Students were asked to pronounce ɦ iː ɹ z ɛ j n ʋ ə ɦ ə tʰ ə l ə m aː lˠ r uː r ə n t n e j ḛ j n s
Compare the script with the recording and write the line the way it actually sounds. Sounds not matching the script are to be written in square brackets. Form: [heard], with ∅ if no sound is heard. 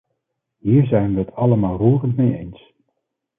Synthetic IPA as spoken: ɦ iː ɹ z ɛ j n ʋ ə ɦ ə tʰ [ɑ] l ə m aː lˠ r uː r ə n t [m] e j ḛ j n s